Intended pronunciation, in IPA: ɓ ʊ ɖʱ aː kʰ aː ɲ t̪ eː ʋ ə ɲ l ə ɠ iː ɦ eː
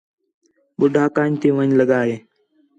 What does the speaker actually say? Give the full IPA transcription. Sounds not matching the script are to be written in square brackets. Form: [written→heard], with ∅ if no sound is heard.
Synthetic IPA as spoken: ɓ ʊ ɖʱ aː [kʰ→k] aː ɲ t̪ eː ʋ ə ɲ l ə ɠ [iː→aː] ɦ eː